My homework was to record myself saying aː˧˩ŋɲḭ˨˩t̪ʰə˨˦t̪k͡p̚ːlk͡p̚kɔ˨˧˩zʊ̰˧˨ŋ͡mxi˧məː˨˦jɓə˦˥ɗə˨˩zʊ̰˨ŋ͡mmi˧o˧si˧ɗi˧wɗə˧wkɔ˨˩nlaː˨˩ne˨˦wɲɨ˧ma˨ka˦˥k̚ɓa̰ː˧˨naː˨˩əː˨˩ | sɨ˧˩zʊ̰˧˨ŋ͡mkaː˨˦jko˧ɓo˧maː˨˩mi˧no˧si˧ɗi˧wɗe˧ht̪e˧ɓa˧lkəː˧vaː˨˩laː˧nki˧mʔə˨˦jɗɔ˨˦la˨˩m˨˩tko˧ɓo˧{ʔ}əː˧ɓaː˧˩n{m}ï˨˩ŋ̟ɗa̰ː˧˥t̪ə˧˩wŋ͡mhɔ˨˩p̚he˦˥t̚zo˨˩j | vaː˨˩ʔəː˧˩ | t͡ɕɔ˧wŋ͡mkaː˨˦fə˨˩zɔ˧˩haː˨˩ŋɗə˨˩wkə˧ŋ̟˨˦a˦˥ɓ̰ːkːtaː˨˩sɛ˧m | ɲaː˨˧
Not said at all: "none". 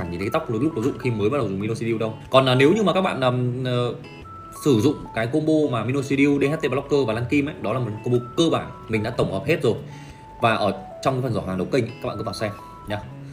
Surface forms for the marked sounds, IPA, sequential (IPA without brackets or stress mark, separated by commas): k, m